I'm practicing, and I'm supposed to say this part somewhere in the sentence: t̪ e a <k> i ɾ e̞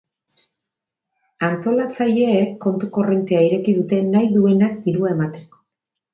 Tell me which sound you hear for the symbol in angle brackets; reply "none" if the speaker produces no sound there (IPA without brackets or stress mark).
none